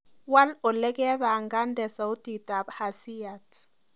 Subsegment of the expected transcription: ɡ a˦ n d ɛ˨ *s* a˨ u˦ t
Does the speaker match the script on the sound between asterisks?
yes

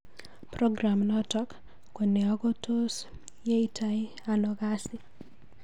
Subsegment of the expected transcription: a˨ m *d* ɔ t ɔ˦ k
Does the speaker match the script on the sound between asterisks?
no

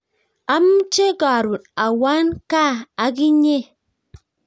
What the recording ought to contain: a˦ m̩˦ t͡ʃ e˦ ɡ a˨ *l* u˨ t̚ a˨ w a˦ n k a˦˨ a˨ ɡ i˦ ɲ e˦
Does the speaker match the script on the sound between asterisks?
no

